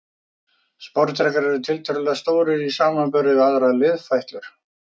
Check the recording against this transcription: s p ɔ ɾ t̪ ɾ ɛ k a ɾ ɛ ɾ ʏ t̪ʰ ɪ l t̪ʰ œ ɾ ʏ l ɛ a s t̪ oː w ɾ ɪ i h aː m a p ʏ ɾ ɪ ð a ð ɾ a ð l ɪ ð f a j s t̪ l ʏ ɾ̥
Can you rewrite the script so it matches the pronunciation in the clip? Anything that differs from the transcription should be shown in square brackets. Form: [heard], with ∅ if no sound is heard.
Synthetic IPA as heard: s p ɔ ɾ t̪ ɾ ɛ k a ɾ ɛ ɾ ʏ t̪ʰ ɪ l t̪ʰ œ ɾ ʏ l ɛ a s t̪ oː w ɾ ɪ i [s] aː m a p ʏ ɾ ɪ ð a ð ɾ a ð l ɪ ð f a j [h] t̪ l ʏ ɾ̥